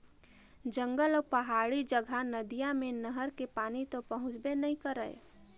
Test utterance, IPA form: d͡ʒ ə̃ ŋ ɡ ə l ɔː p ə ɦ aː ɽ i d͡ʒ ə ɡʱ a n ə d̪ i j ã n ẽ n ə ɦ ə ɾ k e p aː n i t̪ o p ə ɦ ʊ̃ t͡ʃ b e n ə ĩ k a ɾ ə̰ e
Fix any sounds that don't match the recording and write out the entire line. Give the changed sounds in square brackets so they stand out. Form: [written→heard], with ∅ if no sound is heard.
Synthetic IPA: d͡ʒ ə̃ ŋ ɡ ə l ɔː p ə ɦ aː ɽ i d͡ʒ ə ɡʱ a n ə d̪ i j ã [n→m] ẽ n ə ɦ ə ɾ k e p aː n i t̪ o p ə ɦ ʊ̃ t͡ʃ b e n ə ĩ k [a→ə] ɾ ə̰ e